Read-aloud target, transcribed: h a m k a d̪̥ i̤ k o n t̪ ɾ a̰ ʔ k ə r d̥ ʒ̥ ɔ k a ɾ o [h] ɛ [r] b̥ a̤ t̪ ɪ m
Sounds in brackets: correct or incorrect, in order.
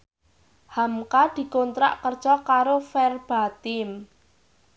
incorrect, correct

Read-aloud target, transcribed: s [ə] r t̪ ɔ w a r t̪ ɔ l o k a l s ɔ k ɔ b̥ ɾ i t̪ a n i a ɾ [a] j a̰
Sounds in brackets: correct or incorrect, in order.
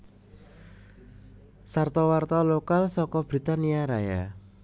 incorrect, correct

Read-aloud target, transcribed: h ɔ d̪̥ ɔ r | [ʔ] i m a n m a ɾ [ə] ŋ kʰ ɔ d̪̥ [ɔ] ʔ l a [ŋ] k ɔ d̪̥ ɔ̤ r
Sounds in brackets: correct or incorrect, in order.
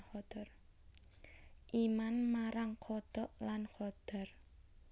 correct, incorrect, correct, incorrect

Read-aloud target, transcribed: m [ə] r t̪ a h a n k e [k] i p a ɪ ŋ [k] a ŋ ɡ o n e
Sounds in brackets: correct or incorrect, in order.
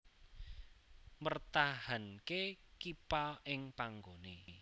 correct, correct, incorrect

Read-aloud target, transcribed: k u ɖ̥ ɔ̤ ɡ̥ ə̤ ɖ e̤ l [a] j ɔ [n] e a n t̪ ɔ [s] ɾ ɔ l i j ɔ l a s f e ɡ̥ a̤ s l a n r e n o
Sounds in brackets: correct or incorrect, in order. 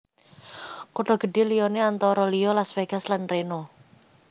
incorrect, correct, incorrect

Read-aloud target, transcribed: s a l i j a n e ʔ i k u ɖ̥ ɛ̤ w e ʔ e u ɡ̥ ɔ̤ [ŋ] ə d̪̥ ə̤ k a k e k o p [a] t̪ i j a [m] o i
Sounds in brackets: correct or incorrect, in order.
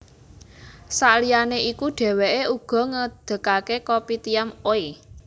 correct, incorrect, correct

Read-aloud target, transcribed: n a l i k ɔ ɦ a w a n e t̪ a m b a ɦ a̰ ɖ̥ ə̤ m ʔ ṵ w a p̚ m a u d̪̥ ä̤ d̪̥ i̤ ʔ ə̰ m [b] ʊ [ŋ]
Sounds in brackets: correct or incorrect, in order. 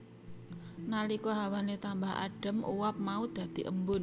correct, incorrect

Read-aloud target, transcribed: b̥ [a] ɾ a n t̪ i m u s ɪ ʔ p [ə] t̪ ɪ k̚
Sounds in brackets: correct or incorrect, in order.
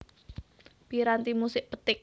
incorrect, correct

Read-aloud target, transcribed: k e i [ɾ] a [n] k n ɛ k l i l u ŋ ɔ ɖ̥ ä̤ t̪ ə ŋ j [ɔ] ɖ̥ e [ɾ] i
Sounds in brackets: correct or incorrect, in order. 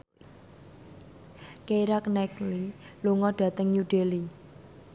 correct, incorrect, incorrect, incorrect

